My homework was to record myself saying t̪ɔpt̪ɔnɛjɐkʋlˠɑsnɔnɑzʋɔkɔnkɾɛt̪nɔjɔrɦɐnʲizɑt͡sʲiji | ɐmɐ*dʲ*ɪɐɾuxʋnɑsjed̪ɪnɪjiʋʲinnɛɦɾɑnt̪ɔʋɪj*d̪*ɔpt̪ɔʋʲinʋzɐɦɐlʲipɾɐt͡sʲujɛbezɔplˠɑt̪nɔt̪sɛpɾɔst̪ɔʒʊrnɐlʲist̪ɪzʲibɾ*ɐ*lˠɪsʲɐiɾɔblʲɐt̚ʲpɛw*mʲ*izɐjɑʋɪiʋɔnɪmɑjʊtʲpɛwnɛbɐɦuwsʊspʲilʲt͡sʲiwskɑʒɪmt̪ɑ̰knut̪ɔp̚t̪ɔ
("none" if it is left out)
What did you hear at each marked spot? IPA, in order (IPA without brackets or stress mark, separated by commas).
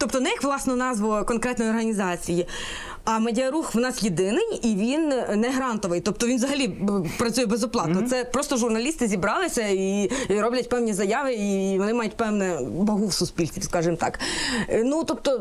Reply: dʲ, t̪, ɑ, nʲ